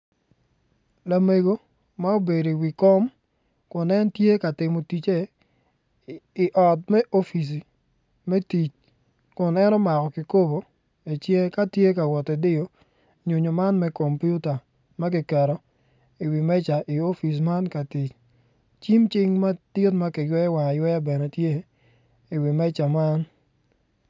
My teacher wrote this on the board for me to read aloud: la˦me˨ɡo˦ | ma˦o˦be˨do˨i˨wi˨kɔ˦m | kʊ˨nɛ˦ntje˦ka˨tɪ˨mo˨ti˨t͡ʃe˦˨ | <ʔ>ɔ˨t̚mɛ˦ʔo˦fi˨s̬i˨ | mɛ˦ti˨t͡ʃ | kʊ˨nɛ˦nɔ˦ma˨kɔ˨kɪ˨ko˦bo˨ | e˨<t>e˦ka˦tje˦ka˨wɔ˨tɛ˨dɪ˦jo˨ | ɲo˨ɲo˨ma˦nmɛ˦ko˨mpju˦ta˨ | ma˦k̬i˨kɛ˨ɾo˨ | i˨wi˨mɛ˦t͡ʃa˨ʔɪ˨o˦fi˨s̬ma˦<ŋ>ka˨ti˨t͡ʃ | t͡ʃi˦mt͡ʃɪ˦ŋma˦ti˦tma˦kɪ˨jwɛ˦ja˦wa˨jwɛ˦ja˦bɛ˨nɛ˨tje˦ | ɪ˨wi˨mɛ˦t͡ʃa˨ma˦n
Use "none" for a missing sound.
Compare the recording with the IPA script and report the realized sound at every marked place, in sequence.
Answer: ʔ, t͡ʃ, n

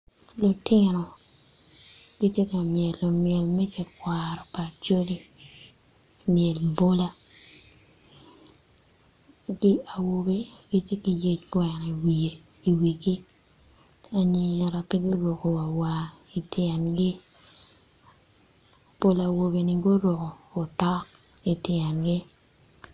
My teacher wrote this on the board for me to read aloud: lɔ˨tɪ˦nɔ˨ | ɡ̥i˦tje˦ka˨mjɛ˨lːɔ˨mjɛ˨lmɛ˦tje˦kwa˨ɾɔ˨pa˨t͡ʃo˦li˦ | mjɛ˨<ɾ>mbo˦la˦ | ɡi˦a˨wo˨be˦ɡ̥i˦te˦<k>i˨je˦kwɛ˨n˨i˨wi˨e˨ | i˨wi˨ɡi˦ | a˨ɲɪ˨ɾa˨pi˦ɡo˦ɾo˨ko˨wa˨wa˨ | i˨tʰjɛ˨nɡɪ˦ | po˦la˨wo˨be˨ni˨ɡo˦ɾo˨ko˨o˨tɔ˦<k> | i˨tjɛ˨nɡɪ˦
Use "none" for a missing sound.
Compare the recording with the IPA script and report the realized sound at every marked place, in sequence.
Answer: l, k, k

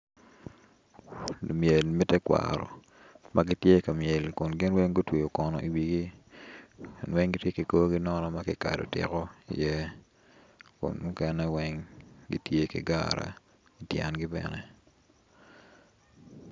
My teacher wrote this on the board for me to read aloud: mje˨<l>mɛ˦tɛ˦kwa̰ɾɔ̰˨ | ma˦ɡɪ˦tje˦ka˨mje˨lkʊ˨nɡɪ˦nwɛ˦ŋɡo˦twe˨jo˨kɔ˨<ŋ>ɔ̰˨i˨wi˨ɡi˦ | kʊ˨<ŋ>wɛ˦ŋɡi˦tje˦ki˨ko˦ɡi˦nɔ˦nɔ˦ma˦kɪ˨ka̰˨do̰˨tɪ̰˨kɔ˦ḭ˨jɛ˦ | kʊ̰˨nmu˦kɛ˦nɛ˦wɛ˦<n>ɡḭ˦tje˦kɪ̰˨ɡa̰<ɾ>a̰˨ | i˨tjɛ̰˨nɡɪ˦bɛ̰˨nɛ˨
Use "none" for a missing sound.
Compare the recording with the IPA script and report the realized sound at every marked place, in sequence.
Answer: l, n, n, ŋ, ɾ

